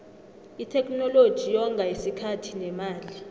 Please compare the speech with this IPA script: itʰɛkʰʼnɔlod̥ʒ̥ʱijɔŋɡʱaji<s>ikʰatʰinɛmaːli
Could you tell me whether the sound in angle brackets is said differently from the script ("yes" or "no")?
no